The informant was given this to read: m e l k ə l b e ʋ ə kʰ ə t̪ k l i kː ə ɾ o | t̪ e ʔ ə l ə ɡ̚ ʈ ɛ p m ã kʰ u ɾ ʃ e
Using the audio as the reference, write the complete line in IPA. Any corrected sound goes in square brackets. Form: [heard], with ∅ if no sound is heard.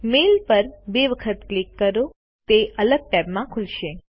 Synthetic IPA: m e l [p] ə [ɾ] b e ʋ ə kʰ ə t̪ k l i kː ə ɾ o | t̪ e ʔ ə l ə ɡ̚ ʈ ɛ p m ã kʰ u [l] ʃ e